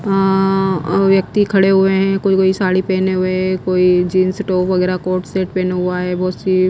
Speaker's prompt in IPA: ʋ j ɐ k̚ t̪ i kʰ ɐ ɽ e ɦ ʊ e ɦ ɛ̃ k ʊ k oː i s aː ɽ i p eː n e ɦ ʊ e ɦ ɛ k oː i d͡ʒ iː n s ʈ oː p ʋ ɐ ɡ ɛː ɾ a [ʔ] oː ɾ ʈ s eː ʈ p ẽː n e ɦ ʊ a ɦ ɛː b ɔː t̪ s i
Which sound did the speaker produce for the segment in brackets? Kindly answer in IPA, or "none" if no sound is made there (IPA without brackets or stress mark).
k